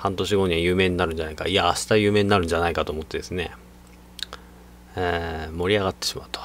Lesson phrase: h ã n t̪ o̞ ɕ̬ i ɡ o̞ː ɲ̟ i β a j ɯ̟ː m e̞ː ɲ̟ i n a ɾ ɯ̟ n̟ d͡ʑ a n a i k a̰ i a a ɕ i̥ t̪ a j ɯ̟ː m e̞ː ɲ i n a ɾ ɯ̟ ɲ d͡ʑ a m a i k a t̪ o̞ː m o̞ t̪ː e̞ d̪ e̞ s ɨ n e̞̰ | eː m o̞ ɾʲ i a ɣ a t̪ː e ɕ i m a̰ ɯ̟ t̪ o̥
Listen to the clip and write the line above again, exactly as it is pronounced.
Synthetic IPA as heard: h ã n t̪ o̞ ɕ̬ i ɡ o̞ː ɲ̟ i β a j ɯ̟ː m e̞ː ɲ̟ i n a ɾ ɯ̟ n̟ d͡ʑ a n a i k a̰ i a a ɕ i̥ t̪ a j ɯ̟ː m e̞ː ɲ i n a ɾ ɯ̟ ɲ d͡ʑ a n a i k a t̪ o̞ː m o̞ t̪ː e̞ d̪ e̞ s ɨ n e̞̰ | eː m o̞ ɾʲ i a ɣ a t̪ː e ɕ i m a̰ ɯ̟ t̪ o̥

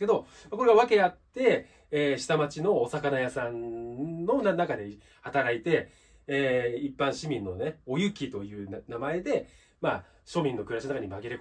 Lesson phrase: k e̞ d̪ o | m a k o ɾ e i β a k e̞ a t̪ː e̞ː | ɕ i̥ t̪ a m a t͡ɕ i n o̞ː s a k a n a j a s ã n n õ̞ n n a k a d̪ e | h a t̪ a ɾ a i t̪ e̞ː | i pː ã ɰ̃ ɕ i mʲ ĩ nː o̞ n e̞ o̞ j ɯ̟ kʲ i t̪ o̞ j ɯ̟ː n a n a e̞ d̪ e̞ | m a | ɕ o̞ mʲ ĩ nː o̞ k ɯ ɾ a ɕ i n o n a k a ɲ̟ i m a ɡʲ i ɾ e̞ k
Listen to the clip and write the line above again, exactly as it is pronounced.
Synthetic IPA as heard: k e̞ d̪ o | m a k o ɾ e a β a k e̞ a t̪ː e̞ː | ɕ i̥ t̪ a m a t͡ɕ i n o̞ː s a k a n a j a s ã n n o̞ n n a k a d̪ e | h a t̪ a ɾ a i t̪ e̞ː | i pː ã ɰ̃ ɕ i mʲ ĩ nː o̞ n e̞ o̞ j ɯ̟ kʲ i t̪ o̞ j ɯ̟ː n a m a e̞ d̪ e̞ | m a | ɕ o̞ mʲ ĩ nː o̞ k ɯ ɾ a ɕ i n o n a k a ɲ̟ i m a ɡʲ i ɾ e̞ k

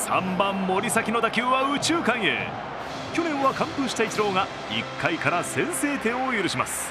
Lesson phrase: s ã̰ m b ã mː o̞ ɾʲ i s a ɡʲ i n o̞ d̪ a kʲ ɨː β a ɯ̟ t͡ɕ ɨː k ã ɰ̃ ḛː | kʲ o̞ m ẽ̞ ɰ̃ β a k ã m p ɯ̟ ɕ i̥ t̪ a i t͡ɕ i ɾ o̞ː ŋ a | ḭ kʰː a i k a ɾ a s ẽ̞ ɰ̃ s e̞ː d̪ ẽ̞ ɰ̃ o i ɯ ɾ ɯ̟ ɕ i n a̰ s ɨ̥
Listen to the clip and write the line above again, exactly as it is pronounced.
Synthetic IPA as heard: s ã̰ m b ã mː o̞ ɾʲ i s a kʲ i n o̞ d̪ a kʲ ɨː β a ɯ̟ t͡ɕ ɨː k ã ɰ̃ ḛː | kʲ o̞ n ẽ̞ ɰ̃ β a k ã m p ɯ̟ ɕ i̥ t̪ a i t͡ɕ i ɾ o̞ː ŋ a | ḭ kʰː a i k a ɾ a s ẽ̞ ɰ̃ s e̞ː t̪ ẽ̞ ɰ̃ o j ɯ ɾ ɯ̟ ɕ i m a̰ s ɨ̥

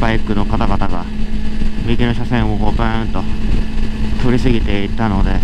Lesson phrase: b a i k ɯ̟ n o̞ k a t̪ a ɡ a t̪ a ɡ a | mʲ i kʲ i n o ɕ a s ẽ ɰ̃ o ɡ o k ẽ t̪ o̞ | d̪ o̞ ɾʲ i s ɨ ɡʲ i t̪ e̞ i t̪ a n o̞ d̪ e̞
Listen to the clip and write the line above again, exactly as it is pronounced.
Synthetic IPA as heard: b a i k ɯ̟ n o̞ k a t̪ a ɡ a t̪ a ɡ a | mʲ i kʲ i n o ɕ a s ẽ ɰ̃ o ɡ o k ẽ t̪ o̞ | t̪ o̞ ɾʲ i s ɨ ɡʲ i t̪ e̞ i t̪ a n o̞ d̪ e̞

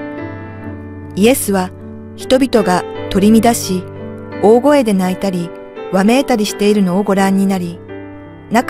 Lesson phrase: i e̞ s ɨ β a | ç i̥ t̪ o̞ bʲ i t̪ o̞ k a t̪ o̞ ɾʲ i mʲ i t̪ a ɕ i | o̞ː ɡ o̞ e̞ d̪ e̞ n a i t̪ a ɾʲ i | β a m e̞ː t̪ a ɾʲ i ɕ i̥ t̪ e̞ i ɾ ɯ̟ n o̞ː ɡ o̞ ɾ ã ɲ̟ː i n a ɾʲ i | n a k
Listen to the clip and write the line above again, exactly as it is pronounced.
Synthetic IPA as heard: i e̞ s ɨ β a | ç i̥ t̪ o̞ bʲ i t̪ o̞ ɡ a t̪ o̞ ɾʲ i mʲ i d̪ a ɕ i | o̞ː ɡ o̞ e̞ d̪ e̞ n a i t̪ a ɾʲ i | β a m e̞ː t̪ a ɾʲ i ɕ i̥ t̪ e̞ i ɾ ɯ̟ n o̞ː ɡ o̞ ɾ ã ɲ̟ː i n a ɾʲ i | n a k

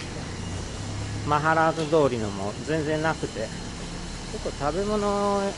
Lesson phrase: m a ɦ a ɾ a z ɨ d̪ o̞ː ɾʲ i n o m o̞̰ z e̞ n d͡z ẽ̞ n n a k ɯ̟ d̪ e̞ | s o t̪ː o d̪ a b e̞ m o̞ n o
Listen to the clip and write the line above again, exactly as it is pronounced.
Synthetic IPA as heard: m a ɦ a ɾ a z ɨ d̪ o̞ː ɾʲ i n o m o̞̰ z ẽ̞ n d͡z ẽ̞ n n a k ɯ̟ t̪ e̞ | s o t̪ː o t̪ a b e̞ m o̞ n o

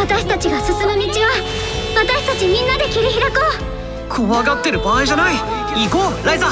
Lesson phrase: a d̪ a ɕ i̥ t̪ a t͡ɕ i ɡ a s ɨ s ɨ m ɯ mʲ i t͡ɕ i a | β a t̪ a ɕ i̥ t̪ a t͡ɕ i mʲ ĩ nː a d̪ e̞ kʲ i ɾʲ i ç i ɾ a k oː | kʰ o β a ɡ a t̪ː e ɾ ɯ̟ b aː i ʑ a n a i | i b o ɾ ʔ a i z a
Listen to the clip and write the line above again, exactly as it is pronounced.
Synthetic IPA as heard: a t̪ a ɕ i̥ t̪ a t͡ɕ i ɡ a s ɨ s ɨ m ɯ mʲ i t͡ɕ i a | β a t̪ a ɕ i̥ t̪ a t͡ɕ i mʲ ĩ nː a d̪ e̞ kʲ i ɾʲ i ç i ɾ a k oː | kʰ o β a ɡ a t̪ː e ɾ ɯ̟ b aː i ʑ a n a i | i ɡ o ɾ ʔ a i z a

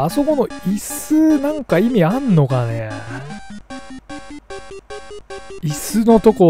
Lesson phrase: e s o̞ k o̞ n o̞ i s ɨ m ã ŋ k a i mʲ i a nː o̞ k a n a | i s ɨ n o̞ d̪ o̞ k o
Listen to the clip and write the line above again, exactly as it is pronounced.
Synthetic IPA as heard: a s o̞ k o̞ n o̞ i s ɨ n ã ŋ k a i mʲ i a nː o̞ k a n e | i s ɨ n o̞ t̪ o̞ k o

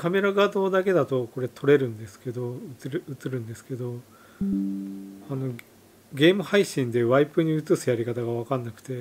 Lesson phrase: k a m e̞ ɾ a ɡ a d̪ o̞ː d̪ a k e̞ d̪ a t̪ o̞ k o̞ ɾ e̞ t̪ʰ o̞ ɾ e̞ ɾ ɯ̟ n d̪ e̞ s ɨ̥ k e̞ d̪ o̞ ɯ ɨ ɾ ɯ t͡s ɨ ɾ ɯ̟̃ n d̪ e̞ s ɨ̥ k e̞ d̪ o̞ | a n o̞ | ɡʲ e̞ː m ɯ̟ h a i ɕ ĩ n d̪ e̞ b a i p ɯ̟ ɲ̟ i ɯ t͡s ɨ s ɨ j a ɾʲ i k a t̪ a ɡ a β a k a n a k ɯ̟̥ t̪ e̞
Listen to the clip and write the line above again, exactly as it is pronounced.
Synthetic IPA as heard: k a m e̞ ɾ a ɡ a d̪ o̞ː d̪ a k e̞ d̪ a t̪ o̞ k o̞ ɾ e̞ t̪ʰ o̞ ɾ e̞ ɾ ɯ̟̃ n d̪ e̞ s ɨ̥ k e̞ d̪ o̞ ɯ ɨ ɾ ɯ t͡s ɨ ɾ ɯ̟̃ n d̪ e̞ s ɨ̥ k e̞ d̪ o̞ | a n o̞ | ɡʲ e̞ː m ɯ̟ h a i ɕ ĩ n d̪ e̞ β a i p ɯ̟ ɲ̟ i ɯ t͡s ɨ s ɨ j a ɾʲ i k a t̪ a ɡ a β a k a nː a k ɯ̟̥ t̪ e̞

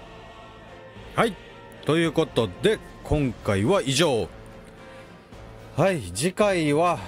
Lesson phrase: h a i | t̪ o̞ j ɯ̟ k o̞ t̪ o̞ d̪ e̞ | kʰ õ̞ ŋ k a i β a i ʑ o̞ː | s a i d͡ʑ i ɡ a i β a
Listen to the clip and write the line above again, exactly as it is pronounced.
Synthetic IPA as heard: h a i | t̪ o̞ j ɯ̟ː k o̞ t̪ o̞ d̪ e̞ | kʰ õ̞ ŋ k a i β a i ʑ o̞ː | h a i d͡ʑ i k a i β a

